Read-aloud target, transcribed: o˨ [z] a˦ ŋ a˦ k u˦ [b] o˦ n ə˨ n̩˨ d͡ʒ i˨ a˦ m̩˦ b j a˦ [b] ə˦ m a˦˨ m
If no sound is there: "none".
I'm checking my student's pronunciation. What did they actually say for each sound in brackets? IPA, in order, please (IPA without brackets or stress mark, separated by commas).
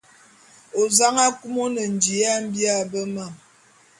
z, m, b